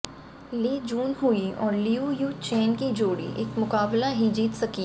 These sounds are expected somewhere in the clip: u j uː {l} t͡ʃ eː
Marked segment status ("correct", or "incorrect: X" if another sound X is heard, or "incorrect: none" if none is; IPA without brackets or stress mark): incorrect: none